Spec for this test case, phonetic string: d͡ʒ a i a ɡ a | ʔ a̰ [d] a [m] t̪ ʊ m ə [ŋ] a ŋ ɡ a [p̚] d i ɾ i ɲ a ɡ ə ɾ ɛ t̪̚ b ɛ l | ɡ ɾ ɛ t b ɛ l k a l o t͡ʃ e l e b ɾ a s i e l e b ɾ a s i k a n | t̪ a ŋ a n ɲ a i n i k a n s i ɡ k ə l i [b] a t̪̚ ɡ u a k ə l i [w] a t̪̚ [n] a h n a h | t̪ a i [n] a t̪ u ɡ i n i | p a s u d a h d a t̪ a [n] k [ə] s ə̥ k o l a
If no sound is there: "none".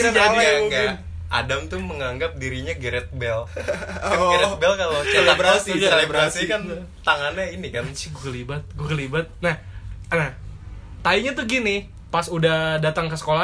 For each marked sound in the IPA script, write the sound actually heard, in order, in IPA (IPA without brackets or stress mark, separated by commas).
d, m, ŋ, p̚, b, b, n, ɲ, ŋ, ə